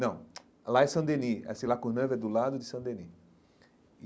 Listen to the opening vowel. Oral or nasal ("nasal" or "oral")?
nasal